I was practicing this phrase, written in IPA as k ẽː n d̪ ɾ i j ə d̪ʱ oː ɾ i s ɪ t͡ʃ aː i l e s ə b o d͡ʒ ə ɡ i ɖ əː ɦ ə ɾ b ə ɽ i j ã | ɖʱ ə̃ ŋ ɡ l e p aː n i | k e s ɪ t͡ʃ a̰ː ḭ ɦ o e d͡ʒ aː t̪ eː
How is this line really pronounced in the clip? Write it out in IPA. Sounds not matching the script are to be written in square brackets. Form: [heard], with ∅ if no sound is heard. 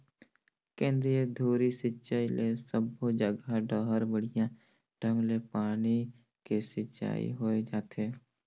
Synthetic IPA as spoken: k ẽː n d̪ ɾ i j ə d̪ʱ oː ɾ i s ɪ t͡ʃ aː i l e s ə b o d͡ʒ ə ɡ [a] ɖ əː ɦ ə ɾ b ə ɽ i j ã | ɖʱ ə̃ ŋ ɡ l e p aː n i | k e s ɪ t͡ʃ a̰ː ḭ ɦ o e d͡ʒ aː t̪ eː

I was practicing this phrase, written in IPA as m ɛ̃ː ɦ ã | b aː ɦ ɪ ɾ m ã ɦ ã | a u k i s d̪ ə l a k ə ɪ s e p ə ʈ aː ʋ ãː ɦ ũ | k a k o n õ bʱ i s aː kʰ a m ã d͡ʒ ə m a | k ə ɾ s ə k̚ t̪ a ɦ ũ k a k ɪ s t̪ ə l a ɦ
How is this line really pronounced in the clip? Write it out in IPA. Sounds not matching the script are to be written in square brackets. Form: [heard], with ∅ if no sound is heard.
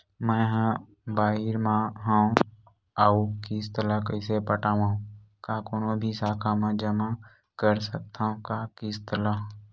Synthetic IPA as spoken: m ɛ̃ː ɦ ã | b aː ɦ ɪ ɾ m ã ɦ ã | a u k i s [t̪] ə l a k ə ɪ s e p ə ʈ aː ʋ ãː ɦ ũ | k a k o n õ bʱ i s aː kʰ a m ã d͡ʒ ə m a | k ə ɾ s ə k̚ t̪ a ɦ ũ k a k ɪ s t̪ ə l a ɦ

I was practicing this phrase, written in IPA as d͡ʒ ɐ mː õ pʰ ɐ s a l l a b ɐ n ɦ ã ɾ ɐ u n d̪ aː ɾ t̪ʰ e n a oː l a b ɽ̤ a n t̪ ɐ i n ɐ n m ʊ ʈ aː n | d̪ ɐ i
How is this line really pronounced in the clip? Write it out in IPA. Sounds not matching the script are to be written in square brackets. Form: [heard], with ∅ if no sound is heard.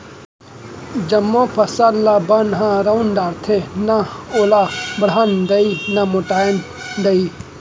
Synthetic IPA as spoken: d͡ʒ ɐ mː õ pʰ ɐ s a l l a b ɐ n ɦ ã ɾ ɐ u n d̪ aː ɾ t̪ʰ e n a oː l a b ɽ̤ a n [d̪] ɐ i n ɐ [∅] m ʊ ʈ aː n | d̪ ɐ i

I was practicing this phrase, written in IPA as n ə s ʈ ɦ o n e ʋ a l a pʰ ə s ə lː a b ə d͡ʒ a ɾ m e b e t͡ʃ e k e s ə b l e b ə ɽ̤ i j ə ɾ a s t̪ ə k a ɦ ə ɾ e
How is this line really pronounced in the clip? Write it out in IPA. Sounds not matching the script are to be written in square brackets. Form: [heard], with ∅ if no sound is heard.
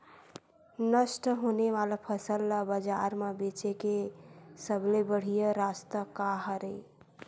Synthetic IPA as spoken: n ə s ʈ ɦ o n e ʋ a l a pʰ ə s ə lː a b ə d͡ʒ a ɾ m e b e t͡ʃ e k e s ə b l e b ə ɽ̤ i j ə ɾ a s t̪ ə k a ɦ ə ɾ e

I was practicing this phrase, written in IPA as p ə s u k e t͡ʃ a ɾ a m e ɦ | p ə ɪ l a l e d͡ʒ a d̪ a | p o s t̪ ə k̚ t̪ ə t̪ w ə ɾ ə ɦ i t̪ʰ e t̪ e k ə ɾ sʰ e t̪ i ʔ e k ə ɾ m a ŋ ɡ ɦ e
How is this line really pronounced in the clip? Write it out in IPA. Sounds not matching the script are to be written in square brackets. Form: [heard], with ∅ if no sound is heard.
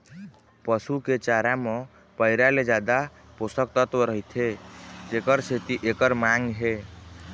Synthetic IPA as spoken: p ə s u k e t͡ʃ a ɾ a m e [∅] | p ə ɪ [ɾ] a l e d͡ʒ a d̪ a | p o s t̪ ə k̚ t̪ ə t̪ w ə ɾ ə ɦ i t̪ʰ e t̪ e k ə ɾ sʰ e t̪ i ʔ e k ə ɾ m a ŋ ɡ ɦ e

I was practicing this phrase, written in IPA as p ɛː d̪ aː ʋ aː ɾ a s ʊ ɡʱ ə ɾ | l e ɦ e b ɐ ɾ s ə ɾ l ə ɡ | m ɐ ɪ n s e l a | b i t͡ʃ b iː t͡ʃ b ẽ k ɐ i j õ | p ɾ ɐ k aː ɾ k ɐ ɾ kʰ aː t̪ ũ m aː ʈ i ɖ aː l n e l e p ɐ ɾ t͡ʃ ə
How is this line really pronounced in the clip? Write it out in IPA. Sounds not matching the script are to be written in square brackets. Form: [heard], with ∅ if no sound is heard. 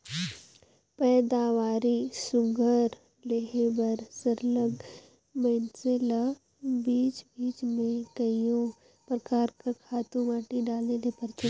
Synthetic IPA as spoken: p ɛː d̪ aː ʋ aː ɾ [i] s ʊ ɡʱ ə ɾ | l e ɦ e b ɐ ɾ s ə ɾ l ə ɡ | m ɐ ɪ n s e l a | b [iː] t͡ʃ b iː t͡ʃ [m] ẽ k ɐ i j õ | p ɾ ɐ k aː ɾ k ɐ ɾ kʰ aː t̪ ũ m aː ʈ i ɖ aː l n e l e p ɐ ɾ t͡ʃ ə

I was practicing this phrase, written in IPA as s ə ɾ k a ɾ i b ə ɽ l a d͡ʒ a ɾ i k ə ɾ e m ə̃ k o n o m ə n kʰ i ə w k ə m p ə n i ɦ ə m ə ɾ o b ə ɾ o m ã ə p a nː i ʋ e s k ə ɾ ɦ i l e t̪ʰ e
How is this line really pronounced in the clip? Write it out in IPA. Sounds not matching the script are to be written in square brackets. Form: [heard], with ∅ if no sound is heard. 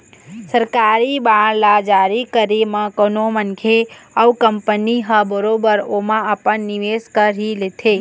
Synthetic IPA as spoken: s ə ɾ k a ɾ i b [a] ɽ l a d͡ʒ a ɾ i k ə ɾ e m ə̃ k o n o m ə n kʰ [e] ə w k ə m p ə n i ɦ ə [b] ə ɾ o b ə ɾ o m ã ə p [ə] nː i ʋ e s k ə ɾ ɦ i l e t̪ʰ e

